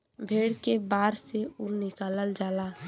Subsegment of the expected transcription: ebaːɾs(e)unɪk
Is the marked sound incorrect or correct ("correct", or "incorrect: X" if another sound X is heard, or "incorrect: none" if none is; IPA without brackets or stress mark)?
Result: correct